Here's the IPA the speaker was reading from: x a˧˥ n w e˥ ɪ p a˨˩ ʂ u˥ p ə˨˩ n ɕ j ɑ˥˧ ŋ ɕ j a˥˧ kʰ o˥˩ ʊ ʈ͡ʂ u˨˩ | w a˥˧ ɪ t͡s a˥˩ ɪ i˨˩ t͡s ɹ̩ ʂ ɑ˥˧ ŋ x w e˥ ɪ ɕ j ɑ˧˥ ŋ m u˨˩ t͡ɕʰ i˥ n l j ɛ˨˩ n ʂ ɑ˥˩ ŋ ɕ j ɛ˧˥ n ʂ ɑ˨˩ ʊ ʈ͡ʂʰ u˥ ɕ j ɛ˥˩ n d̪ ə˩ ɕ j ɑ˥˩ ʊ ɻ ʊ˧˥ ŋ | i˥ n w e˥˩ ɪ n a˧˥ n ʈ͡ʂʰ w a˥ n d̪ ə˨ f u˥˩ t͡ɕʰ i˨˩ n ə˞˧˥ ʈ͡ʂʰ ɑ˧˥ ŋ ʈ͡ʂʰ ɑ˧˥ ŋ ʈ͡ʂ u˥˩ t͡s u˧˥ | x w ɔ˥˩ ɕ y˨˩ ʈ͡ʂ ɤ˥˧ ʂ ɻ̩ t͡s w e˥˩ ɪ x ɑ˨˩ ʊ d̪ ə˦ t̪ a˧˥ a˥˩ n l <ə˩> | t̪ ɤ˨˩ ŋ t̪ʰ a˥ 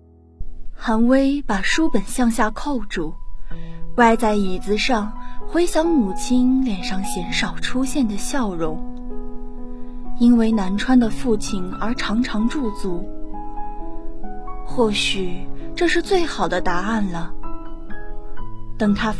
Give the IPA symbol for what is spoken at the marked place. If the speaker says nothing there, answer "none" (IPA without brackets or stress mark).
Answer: ə˩